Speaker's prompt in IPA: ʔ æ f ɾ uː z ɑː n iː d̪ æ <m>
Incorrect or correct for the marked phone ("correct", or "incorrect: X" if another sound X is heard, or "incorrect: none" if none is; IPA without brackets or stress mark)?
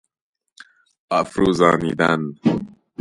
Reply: incorrect: n